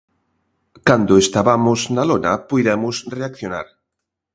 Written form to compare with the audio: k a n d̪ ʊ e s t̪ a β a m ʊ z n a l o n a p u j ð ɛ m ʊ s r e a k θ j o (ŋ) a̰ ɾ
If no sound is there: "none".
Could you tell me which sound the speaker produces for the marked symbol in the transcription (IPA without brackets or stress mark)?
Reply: n